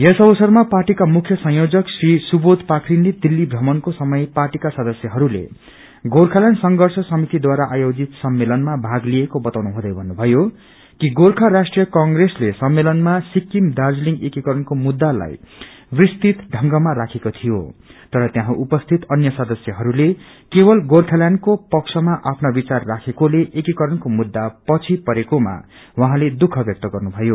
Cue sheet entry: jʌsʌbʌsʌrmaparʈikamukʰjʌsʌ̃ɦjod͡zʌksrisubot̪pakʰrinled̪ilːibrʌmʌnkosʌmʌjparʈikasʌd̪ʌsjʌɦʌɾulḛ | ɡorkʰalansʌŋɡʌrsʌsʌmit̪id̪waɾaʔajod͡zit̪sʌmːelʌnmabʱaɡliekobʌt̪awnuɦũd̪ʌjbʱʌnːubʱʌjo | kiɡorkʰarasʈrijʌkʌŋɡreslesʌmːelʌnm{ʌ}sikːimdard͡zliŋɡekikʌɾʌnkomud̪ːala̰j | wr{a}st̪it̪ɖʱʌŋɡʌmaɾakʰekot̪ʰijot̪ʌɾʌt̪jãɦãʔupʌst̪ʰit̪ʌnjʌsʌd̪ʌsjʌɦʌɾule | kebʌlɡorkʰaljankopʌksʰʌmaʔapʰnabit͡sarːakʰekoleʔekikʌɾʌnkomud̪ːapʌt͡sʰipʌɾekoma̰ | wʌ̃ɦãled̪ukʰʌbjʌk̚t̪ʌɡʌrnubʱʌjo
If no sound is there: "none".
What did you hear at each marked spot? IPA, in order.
a, i

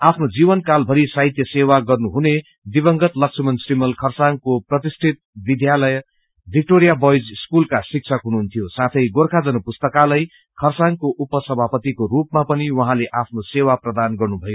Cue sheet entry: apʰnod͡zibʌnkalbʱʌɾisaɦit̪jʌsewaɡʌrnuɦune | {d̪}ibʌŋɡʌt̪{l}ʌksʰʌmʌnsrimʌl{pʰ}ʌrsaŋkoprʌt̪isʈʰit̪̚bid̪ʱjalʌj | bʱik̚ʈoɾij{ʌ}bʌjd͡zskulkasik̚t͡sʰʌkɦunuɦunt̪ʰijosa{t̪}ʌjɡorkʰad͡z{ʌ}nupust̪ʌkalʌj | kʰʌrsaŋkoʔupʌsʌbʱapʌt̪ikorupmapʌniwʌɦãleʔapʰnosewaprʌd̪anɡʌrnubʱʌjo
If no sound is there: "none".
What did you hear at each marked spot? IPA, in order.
d̪, l, kʰ, a, t̪ʰ, ʌ

